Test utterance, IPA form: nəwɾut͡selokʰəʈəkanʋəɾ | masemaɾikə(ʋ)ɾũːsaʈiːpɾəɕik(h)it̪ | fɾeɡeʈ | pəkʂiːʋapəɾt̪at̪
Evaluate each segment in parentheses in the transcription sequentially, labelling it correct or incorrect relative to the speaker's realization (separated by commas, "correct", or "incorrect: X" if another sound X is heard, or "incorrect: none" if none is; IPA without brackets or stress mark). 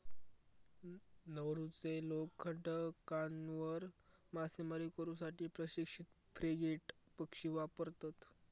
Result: incorrect: none, incorrect: ʂ